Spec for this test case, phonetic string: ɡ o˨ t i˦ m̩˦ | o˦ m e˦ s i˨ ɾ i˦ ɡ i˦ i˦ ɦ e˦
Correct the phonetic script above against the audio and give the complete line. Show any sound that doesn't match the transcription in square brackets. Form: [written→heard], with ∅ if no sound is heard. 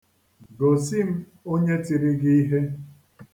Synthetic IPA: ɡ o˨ [t→s] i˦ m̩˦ | o˦ [m→ɲ] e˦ [s→t] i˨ ɾ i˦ ɡ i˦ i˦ ɦ e˦

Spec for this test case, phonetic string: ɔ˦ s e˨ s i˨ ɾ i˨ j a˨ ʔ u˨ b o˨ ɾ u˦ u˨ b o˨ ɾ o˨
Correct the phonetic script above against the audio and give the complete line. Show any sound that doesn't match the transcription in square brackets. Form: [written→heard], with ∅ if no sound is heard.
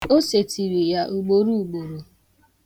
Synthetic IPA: [ɔ˦→o˦] s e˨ [s→t] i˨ ɾ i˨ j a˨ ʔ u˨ [b→ɡ͡b] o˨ ɾ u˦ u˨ [b→ɡ͡b] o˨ ɾ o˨

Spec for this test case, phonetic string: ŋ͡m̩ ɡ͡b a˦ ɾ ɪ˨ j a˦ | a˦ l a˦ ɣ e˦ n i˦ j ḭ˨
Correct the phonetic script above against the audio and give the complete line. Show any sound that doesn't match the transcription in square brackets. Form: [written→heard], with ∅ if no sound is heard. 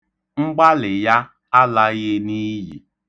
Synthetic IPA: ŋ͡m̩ ɡ͡b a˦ [ɾ→l] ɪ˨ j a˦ | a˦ l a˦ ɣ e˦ n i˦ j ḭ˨

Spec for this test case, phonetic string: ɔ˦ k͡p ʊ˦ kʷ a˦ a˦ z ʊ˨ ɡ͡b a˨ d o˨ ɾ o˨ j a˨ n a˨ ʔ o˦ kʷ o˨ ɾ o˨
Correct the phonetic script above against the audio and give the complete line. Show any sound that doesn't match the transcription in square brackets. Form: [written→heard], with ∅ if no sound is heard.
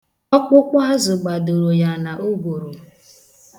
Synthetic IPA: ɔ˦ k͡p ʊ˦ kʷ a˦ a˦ z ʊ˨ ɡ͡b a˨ d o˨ ɾ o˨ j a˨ n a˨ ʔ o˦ [kʷ→ɡʷ] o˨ ɾ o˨

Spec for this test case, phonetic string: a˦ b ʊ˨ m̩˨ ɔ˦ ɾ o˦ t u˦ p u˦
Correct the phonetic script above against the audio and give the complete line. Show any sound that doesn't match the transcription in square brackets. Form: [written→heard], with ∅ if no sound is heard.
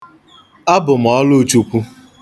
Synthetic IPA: a˦ b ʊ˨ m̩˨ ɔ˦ [ɾ→l] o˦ [t→t͡ʃ] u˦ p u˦

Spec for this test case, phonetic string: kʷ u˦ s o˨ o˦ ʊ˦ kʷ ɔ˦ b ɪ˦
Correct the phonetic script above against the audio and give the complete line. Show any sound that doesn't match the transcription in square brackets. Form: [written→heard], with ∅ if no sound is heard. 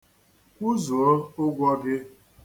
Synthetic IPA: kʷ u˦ [s→z] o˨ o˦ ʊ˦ [kʷ→ɡʷ] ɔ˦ [b→ɡ] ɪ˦

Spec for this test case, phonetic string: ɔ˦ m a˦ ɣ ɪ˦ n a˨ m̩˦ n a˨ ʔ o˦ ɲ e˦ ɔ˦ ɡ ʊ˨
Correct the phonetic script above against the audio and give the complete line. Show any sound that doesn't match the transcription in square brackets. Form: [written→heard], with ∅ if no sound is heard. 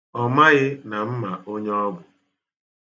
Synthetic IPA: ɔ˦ m a˦ ɣ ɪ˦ n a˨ m̩˦ [n→m] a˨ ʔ o˦ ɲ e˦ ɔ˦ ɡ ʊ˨

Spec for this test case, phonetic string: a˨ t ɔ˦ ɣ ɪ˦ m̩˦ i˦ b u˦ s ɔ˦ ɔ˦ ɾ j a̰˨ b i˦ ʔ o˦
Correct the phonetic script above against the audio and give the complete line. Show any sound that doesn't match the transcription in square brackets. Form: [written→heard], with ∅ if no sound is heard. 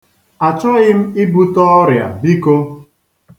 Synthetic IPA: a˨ [t→t͡ʃ] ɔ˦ ɣ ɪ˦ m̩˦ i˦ b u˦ [s→t] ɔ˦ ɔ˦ ɾ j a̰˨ b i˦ [ʔ→k] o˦

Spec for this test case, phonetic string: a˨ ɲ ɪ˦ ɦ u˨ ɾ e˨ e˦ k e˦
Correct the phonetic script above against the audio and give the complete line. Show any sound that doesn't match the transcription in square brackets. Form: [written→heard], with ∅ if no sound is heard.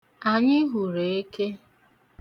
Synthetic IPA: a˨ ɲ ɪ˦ ɦ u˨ ɾ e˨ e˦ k e˦

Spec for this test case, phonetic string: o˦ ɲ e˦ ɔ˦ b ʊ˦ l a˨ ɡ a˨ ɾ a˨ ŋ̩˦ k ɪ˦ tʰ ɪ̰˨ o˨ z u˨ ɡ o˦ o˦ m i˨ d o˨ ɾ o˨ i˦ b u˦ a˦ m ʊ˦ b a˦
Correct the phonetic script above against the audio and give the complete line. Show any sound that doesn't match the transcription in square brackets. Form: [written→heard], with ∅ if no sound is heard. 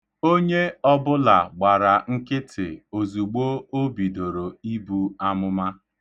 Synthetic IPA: o˦ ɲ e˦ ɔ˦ b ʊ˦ l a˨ [ɡ→ɡ͡b] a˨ ɾ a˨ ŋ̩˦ k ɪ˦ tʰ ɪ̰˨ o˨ z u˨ [ɡ→ɡ͡b] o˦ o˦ [m→b] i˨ d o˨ ɾ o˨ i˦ b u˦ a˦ m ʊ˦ [b→m] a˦

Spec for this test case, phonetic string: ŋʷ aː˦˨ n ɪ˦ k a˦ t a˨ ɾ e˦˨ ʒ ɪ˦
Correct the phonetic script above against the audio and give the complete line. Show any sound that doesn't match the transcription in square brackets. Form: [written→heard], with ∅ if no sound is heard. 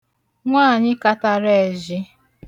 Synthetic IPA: ŋʷ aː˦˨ [n→ɲ] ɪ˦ k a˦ t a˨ ɾ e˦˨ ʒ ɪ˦

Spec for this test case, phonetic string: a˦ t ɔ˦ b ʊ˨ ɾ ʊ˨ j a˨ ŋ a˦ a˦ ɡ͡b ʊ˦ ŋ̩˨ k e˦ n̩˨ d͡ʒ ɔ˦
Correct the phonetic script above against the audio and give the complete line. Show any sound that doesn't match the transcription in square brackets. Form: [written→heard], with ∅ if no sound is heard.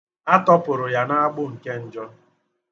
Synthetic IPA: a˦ t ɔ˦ [b→p] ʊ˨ ɾ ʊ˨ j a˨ [ŋ→n] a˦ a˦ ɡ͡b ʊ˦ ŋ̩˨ k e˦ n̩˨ d͡ʒ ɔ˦

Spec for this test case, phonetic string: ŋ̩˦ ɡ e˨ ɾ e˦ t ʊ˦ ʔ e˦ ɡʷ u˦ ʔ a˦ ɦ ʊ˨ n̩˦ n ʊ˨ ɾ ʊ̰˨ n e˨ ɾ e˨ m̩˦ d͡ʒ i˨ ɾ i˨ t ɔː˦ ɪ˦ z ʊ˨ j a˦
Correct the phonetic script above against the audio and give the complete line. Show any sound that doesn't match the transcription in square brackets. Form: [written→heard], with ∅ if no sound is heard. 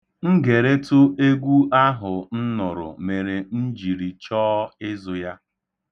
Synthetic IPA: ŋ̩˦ ɡ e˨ ɾ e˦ t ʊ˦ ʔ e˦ ɡʷ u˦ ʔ a˦ ɦ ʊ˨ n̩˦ n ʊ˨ ɾ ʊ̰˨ [n→m] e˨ ɾ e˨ [m̩˦→n̩˦] d͡ʒ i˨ ɾ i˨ [t→t͡ʃ] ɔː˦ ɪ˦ z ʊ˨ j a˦

